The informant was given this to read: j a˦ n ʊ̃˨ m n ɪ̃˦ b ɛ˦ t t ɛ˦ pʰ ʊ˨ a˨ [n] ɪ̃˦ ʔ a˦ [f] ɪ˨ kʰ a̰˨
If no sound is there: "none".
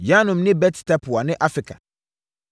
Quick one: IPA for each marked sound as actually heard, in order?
n, f

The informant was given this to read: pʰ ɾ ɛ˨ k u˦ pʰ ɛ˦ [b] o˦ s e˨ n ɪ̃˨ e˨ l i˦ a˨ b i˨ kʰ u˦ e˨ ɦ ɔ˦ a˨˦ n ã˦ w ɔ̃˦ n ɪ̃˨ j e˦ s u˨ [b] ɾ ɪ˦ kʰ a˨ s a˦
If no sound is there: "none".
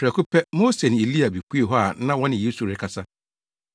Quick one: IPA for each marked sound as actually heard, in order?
m, none

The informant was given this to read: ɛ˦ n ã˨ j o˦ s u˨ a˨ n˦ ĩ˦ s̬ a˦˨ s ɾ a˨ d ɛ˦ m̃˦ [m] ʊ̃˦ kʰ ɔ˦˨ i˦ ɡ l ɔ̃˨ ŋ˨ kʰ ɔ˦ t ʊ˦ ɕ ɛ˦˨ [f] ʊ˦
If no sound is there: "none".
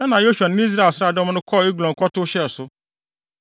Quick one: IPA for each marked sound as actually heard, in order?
n, s

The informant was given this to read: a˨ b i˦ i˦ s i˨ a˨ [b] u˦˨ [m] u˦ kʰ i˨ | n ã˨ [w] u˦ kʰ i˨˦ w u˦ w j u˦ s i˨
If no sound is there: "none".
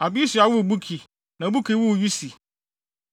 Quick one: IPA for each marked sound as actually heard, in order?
w, b, b

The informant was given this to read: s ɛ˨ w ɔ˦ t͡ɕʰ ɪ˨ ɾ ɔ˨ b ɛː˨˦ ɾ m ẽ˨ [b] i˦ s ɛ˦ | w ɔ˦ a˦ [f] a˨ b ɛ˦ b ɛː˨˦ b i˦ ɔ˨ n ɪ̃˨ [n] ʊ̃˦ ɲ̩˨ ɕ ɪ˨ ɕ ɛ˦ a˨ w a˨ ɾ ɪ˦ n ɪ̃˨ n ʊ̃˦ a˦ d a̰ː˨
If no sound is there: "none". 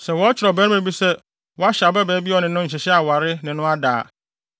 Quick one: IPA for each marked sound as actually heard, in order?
b, ɕ, n

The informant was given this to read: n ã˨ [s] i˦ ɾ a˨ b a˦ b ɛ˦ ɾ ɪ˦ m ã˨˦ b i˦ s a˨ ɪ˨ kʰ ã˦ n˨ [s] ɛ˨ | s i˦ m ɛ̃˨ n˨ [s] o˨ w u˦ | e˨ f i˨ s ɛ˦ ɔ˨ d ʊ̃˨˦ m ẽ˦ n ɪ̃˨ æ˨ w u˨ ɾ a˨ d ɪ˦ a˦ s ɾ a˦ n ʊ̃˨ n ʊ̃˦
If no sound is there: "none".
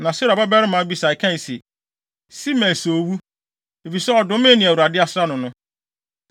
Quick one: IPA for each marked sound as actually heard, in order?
s, s, s

